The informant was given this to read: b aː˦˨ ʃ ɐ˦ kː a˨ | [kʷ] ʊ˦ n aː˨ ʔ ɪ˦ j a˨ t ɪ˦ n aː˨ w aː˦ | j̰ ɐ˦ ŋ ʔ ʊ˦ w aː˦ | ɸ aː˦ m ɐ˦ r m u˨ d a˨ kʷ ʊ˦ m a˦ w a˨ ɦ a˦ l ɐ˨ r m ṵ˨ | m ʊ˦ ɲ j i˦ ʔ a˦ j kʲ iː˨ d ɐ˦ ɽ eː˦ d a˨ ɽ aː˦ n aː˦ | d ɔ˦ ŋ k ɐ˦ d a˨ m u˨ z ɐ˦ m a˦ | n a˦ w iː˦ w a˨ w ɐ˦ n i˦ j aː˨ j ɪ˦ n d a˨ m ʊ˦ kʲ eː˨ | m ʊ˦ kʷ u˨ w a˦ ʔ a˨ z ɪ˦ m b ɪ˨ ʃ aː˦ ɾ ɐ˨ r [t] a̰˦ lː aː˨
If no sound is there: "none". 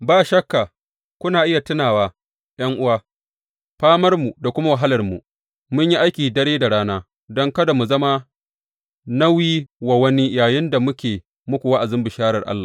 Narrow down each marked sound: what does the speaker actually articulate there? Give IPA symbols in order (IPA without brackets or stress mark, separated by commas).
kʷ, ʔ